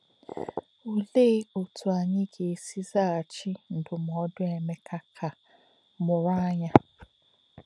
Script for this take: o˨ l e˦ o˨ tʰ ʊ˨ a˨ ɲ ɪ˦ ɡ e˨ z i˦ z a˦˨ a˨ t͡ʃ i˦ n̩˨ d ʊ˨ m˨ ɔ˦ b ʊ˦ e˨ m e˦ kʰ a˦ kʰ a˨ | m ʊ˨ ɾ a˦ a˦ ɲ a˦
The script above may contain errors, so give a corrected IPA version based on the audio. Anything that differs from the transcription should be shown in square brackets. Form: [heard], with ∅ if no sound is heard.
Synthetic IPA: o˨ l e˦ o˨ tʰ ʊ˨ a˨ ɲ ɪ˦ ɡ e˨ [s] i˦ z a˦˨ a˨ t͡ʃ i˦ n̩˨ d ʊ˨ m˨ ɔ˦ [d] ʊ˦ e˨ m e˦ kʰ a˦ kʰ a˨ | m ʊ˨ ɾ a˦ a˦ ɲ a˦